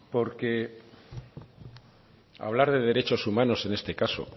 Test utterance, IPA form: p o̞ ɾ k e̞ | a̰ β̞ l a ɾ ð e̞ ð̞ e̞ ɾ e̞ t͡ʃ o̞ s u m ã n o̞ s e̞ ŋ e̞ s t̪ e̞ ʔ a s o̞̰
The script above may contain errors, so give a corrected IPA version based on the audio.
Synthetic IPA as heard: p o̞ ɾ k e̞ | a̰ β̞ l a ɾ ð e̞ ð̞ e̞ ɾ e̞ t͡ʃ o̞ s u m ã n o̞ s e̞ n e̞ s t̪ e̞ k a s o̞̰